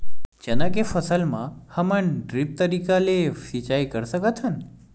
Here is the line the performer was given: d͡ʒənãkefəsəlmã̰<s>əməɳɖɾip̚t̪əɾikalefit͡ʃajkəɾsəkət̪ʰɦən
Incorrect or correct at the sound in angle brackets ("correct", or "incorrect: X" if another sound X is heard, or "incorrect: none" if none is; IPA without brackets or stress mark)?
incorrect: h